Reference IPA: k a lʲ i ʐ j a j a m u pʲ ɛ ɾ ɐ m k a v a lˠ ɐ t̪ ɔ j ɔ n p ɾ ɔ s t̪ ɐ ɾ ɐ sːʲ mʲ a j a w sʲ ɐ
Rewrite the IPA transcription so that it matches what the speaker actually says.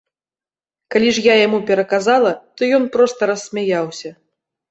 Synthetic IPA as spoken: k a lʲ i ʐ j a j a m u pʲ ɛ ɾ ɐ k a z a lˠ ɐ t̪ ɔ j ɔ n p ɾ ɔ s t̪ ɐ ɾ ɐ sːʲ mʲ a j a w sʲ ɐ